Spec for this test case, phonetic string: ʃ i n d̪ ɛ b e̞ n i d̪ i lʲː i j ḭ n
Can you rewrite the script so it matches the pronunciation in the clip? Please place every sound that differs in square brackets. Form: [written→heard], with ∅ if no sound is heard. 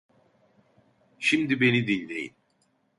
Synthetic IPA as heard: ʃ i [n→m] d̪ [ɛ→i] b e̞ n i d̪ i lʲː [i→e] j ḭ n